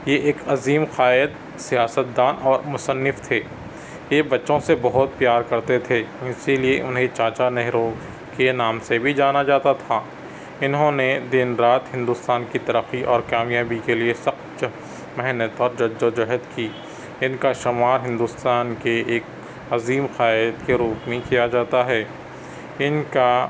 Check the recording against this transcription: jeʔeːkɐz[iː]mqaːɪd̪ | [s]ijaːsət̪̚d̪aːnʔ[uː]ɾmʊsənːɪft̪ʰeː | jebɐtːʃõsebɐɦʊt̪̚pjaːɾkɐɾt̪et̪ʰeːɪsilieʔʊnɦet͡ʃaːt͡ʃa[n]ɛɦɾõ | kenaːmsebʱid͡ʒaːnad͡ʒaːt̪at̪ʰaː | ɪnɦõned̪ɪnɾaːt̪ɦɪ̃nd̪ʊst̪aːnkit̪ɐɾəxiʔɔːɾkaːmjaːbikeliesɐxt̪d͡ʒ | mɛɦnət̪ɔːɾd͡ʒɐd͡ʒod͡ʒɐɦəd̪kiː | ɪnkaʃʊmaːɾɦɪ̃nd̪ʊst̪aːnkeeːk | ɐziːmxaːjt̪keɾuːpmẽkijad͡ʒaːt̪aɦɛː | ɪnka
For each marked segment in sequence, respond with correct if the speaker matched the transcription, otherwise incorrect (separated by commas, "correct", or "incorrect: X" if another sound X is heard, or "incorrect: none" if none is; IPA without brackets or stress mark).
correct, correct, incorrect: ɔː, correct